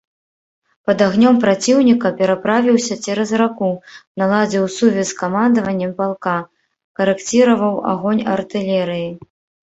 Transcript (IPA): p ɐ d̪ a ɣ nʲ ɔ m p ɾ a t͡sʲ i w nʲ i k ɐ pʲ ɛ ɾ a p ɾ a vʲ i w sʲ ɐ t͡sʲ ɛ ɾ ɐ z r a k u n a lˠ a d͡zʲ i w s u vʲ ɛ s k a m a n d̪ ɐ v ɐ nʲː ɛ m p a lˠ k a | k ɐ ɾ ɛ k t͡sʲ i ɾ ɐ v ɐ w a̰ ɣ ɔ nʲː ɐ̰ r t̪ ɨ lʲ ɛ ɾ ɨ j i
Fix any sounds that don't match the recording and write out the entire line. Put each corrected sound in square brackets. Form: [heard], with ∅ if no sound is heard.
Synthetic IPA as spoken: p ɐ d̪ a ɣ nʲ ɔ m p ɾ a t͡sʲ i w nʲ i k ɐ pʲ ɛ ɾ a p ɾ a vʲ i w sʲ ɐ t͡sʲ ɛ ɾ ɐ z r a k u n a lˠ a d͡zʲ i w s u vʲ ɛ s k a m a n d̪ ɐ v ɐ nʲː ɛ m p a lˠ k a | k ɐ ɾ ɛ k t͡sʲ i ɾ ɐ v ɐ w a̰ ɣ ɔ [nʲ] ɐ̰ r t̪ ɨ lʲ ɛ ɾ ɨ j i